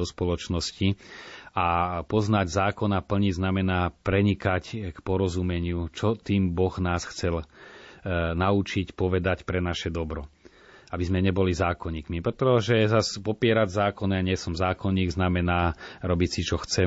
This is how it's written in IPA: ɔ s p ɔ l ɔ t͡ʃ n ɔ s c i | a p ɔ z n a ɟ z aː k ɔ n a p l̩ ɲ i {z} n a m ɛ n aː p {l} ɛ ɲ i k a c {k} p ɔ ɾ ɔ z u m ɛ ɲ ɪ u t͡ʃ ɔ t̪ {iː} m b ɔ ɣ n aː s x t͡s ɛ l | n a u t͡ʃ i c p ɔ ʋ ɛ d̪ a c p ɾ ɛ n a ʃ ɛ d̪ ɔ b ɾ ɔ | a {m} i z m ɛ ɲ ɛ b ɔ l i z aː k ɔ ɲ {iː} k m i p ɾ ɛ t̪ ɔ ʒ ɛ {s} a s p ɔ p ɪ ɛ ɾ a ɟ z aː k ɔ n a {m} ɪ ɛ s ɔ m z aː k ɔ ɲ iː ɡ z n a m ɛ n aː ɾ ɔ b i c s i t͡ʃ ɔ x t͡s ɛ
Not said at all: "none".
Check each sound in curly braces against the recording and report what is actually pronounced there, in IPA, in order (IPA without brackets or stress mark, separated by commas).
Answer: z, ɾ, k, iː, b, iː, z, ɲ